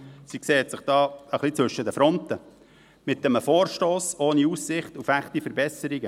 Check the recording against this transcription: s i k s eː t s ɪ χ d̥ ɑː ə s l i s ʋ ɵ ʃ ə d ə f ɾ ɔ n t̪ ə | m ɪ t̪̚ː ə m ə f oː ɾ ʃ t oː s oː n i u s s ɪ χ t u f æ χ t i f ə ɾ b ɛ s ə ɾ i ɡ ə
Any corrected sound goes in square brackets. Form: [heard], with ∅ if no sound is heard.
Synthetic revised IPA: s i k s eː t s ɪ χ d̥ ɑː ə [χ] l i [t͡s] ʋ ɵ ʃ ə d ə f ɾ ɔ n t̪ ə | m ɪ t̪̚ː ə m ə f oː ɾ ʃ t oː s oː n i u s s ɪ χ t u f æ χ t i f ə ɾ b ɛ s ə ɾ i ɡ ə